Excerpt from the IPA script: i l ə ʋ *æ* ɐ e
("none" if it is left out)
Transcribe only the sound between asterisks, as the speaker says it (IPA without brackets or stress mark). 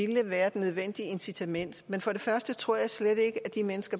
æː